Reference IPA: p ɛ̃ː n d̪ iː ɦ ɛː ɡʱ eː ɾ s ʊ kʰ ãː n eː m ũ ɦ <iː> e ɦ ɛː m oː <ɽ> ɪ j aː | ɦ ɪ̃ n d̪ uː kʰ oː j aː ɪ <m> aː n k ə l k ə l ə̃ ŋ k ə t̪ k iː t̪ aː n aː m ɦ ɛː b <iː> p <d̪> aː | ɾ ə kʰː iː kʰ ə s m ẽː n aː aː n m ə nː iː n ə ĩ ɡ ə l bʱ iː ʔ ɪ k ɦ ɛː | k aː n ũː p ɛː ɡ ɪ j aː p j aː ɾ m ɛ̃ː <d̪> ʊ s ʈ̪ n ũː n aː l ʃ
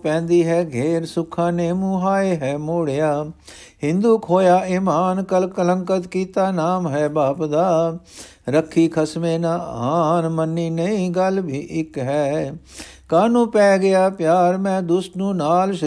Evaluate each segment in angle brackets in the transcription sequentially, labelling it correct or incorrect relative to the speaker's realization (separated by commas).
incorrect, correct, correct, incorrect, correct, correct